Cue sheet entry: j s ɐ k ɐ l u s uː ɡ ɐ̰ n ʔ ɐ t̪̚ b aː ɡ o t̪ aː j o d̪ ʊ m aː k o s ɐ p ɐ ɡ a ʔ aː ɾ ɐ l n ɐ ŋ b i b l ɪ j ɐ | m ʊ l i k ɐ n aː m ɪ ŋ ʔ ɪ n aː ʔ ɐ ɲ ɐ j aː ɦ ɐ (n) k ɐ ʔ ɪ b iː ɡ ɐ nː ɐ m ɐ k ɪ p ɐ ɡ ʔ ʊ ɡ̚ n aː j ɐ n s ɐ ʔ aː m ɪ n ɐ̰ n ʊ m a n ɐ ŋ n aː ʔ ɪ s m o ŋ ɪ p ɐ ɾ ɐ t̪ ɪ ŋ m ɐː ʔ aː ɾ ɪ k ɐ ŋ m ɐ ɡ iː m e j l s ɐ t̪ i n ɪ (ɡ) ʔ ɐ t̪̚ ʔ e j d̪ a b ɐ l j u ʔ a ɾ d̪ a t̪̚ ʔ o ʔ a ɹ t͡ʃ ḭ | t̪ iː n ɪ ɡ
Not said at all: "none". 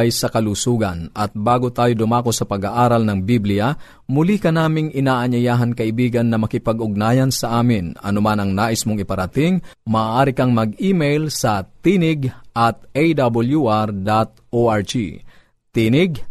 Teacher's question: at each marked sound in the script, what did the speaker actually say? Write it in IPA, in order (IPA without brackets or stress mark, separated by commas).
n, ɡ